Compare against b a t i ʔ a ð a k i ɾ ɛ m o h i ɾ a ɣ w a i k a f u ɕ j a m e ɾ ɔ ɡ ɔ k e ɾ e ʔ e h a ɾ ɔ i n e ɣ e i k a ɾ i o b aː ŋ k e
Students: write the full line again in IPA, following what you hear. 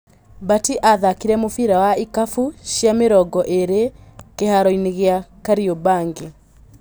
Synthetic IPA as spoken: b a t i ʔ a ð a k i ɾ ɛ m o f i ɾ a w a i k a f u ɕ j a m e ɾ ɔ ɡ ɔ ʔ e ɾ e k e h a ɾ ɔ i n e ɣ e a k a ɾ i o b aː ŋ ɡ e